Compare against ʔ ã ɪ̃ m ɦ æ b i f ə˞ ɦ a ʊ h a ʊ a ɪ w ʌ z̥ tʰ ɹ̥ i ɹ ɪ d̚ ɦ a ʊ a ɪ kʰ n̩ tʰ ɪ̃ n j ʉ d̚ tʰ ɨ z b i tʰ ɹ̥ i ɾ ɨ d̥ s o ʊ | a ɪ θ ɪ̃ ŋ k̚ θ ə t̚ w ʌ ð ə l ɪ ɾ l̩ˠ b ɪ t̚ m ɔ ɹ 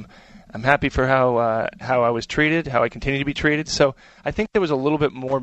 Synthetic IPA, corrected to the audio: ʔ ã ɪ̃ m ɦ æ p i f ə˞ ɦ a ʊ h a ʊ a ɪ w ʌ z̥ tʰ ɹ̥ i ɾ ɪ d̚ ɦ a ʊ a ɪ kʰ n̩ tʰ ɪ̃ n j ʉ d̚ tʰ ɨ b i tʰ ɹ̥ i ɾ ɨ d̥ s o ʊ | a ɪ θ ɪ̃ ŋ k̚ ð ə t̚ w ʌ z ə l ɪ ɾ l̩ˠ b ɪ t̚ m ɔ ɹ